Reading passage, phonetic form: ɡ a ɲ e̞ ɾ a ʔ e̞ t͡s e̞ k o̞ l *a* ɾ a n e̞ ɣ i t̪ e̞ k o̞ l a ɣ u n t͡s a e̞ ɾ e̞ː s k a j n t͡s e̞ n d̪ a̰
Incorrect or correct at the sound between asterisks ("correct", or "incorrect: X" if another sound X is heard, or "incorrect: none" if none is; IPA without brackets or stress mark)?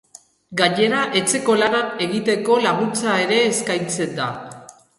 correct